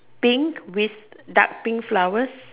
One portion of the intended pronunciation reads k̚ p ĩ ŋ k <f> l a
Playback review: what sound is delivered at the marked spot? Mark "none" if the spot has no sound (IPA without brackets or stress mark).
f